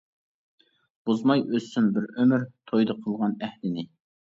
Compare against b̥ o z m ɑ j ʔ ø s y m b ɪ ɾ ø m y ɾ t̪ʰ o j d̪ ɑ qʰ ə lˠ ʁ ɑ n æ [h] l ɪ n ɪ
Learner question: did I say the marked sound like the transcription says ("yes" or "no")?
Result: yes